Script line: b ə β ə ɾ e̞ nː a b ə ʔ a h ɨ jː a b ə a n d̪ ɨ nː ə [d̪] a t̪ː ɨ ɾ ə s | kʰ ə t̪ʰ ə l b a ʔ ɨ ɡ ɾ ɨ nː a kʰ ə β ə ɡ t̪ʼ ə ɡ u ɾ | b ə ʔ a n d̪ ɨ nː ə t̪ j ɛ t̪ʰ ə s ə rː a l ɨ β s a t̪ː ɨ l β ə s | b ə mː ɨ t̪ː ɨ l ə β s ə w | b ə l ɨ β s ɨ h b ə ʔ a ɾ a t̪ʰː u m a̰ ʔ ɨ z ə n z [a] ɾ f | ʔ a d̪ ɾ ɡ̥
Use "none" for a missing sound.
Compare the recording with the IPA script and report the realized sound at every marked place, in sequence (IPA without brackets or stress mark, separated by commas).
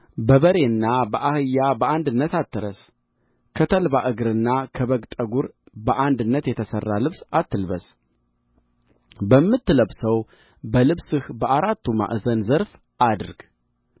t̪, ə